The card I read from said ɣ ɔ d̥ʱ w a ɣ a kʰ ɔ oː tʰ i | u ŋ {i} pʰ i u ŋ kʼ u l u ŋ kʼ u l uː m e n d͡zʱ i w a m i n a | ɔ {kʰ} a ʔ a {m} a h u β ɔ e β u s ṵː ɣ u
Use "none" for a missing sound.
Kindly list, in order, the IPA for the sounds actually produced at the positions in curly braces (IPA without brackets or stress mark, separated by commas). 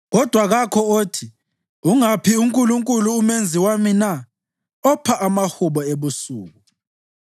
a, pʰ, m